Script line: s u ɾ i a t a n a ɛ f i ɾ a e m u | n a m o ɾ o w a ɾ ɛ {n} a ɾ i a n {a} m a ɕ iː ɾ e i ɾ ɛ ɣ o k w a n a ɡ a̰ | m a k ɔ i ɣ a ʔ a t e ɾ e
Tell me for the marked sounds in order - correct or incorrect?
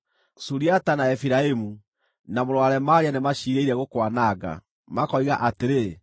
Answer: incorrect, incorrect

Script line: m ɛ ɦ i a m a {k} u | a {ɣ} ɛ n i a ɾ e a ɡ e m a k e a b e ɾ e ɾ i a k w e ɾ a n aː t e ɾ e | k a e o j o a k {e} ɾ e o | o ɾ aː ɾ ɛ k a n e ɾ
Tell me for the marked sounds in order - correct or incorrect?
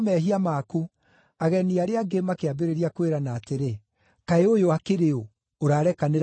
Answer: correct, correct, correct

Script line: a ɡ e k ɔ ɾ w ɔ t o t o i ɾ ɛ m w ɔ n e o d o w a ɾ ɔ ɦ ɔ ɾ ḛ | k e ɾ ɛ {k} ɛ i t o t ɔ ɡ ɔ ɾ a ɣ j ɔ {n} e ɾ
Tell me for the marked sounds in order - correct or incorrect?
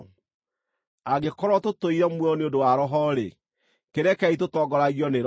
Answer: correct, correct

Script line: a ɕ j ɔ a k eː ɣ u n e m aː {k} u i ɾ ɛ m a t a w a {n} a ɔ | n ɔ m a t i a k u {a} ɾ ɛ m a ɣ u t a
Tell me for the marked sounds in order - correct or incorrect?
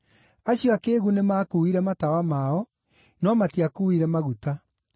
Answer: correct, incorrect, incorrect

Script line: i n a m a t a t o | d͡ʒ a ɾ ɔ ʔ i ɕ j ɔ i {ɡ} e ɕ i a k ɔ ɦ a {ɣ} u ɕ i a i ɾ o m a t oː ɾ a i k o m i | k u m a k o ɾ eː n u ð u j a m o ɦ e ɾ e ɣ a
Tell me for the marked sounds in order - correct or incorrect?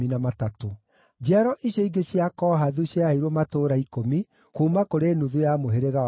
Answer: correct, incorrect

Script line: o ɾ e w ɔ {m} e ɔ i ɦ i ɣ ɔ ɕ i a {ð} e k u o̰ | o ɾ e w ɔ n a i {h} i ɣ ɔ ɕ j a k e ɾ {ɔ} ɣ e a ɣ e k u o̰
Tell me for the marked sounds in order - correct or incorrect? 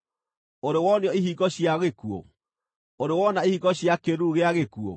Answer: incorrect, incorrect, correct, incorrect

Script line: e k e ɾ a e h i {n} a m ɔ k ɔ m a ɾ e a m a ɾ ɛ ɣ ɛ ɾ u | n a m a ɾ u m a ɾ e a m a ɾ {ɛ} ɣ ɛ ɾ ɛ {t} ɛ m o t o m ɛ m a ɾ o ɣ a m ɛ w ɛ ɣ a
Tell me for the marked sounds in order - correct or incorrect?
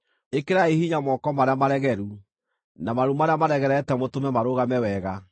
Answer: incorrect, correct, correct

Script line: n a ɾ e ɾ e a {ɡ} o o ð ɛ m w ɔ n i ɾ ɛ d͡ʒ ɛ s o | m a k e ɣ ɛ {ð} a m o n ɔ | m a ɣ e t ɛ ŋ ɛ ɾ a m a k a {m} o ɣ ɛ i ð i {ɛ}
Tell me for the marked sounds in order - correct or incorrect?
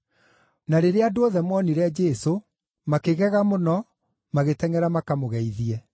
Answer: incorrect, incorrect, correct, correct

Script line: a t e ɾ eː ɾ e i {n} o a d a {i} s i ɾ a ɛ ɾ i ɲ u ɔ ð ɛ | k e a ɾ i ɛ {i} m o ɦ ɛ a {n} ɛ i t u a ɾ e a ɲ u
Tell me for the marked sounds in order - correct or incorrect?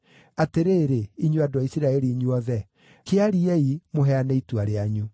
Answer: incorrect, correct, correct, correct

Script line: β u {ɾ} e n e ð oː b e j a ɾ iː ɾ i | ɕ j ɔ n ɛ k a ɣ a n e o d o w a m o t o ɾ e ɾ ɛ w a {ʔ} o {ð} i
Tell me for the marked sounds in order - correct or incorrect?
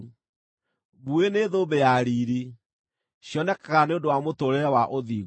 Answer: incorrect, correct, correct

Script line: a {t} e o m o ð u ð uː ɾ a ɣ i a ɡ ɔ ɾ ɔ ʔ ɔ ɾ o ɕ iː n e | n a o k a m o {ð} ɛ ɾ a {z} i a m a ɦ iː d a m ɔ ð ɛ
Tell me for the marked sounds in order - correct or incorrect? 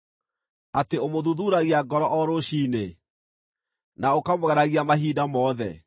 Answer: correct, incorrect, incorrect

